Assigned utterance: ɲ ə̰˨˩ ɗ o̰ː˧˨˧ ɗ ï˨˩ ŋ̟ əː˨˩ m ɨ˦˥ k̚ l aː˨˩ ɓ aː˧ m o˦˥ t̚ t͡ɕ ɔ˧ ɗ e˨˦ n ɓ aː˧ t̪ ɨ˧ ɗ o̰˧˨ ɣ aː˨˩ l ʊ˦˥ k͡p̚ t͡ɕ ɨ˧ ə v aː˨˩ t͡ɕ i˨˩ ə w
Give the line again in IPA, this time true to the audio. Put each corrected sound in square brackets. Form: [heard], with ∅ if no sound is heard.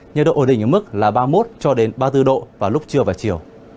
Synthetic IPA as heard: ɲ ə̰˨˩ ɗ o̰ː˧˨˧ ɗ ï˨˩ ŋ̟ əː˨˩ m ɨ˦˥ k̚ l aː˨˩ ɓ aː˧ m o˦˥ t̚ t͡ɕ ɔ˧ ɗ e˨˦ n ɓ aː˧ t̪ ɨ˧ ɗ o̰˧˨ [v] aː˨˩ l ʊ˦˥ k͡p̚ t͡ɕ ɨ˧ ə v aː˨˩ t͡ɕ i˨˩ ə w